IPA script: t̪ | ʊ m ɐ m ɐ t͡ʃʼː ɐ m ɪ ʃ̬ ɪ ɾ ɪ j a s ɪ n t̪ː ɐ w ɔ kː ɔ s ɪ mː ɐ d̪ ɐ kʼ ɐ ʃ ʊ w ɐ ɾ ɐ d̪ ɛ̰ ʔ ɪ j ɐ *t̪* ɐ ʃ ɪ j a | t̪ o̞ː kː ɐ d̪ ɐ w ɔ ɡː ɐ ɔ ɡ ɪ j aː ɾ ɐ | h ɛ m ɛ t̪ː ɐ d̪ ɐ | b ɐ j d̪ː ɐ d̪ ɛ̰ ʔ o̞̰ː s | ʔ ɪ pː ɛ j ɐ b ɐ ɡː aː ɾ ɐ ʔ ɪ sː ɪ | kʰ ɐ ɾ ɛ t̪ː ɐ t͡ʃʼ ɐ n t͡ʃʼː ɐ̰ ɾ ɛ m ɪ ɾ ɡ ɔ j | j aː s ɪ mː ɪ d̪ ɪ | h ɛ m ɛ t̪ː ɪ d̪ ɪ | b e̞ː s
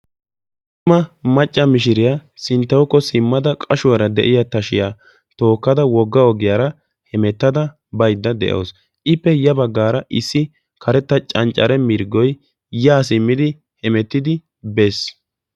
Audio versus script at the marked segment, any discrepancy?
no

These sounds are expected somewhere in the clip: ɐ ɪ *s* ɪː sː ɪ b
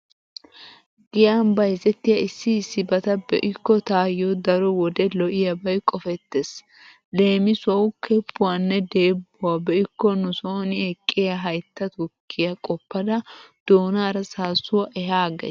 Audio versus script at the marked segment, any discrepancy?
yes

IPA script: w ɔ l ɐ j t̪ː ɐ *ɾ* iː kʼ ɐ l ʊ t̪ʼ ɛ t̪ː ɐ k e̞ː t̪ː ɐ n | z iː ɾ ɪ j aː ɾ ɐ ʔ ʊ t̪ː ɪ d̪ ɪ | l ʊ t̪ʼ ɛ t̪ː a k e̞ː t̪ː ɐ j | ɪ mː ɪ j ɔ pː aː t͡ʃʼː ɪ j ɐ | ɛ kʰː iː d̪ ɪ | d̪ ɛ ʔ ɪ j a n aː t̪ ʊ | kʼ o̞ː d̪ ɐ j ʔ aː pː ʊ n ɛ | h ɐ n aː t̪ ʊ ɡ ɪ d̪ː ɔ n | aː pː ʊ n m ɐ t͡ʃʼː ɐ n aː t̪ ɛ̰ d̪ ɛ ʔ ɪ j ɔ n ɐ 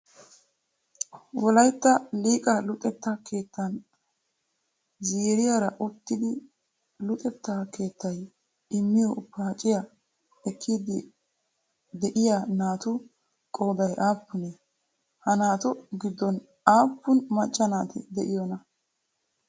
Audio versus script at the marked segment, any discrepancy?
yes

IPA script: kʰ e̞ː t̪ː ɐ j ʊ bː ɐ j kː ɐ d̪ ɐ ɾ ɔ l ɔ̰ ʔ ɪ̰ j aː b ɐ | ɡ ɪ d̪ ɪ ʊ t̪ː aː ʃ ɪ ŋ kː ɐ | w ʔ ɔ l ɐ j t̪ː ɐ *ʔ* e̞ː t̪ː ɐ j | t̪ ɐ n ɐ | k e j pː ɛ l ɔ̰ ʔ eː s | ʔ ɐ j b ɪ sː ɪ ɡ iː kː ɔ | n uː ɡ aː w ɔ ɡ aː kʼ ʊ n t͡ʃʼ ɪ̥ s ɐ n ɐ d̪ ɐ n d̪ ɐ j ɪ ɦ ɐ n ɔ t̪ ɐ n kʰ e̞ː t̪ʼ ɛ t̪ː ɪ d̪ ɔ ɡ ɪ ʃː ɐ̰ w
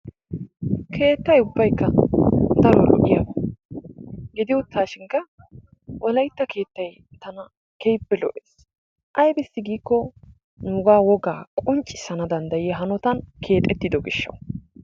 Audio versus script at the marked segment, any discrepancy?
yes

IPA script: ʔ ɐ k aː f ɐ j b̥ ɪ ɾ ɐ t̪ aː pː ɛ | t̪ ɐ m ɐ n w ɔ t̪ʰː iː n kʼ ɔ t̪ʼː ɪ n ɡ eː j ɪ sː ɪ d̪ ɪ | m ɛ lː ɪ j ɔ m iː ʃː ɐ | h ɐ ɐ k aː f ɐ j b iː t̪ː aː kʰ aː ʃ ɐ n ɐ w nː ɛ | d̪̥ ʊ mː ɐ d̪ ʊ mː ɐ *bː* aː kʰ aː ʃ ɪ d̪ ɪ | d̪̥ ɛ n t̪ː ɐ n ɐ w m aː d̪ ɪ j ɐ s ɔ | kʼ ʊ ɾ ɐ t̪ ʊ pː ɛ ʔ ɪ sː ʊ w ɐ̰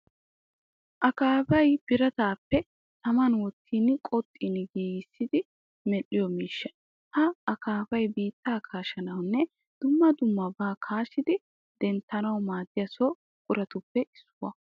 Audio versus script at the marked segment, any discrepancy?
yes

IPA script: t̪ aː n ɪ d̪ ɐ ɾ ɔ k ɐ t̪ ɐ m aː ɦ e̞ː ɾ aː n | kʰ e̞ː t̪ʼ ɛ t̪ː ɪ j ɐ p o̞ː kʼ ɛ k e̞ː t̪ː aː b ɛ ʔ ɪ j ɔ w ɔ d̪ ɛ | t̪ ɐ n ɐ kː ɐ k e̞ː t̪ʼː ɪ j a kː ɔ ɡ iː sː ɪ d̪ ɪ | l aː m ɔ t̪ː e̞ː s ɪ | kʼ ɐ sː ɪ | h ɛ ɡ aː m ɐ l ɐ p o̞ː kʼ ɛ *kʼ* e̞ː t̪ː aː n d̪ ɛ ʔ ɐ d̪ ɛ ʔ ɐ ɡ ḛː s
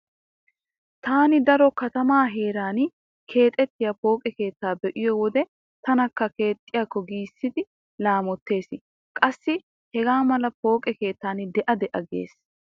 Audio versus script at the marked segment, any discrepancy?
yes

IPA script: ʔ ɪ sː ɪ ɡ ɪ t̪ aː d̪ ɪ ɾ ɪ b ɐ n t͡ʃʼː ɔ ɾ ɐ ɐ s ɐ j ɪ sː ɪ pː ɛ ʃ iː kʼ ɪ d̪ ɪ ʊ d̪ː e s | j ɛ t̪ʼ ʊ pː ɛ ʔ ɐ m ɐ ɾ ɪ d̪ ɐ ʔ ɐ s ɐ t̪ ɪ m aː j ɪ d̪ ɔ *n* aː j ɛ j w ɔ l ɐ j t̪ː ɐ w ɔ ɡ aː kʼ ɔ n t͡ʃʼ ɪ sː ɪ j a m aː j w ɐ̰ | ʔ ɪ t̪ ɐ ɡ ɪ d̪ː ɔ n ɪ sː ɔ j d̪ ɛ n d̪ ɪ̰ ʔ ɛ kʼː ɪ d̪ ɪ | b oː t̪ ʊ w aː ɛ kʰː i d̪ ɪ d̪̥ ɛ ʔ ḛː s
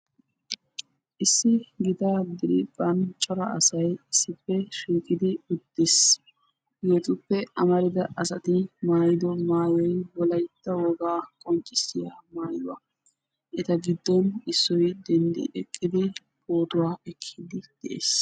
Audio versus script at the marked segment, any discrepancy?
yes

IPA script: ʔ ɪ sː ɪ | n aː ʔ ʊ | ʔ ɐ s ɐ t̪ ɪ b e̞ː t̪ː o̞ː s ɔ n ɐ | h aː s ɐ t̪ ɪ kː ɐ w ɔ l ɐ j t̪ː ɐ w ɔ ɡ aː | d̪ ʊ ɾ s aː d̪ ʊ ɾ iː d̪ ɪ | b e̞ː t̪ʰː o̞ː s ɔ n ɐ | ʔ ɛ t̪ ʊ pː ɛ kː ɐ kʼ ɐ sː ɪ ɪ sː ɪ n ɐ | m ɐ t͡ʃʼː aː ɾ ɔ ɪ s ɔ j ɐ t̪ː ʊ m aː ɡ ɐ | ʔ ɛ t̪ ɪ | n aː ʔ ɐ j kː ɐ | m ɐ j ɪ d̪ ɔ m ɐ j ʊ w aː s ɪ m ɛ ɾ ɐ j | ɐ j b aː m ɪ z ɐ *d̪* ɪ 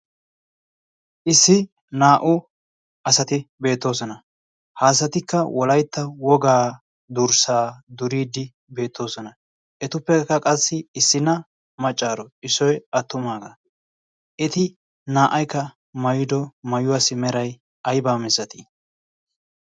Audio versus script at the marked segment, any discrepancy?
yes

